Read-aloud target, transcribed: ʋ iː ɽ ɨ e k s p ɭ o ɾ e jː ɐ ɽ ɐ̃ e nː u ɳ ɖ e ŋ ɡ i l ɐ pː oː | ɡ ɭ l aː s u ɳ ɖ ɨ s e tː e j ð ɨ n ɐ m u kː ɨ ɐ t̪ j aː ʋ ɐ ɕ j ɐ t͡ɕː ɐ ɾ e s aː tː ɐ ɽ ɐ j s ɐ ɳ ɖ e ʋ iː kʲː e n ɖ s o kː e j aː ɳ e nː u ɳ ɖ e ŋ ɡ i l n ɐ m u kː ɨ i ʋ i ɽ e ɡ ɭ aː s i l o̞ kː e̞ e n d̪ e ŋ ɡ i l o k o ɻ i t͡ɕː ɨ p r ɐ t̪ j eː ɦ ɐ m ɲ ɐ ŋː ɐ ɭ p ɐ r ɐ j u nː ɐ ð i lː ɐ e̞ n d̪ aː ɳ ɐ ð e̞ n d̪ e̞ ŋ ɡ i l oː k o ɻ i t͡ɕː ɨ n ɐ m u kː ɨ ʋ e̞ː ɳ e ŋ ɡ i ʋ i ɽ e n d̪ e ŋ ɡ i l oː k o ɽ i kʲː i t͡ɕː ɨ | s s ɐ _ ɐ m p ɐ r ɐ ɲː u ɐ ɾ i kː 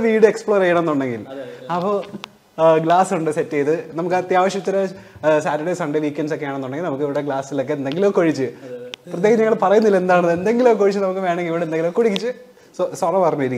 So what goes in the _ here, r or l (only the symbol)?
r